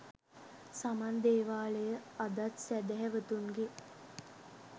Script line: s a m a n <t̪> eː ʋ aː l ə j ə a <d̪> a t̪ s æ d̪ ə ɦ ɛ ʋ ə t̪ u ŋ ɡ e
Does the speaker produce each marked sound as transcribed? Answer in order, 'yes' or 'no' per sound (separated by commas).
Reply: no, yes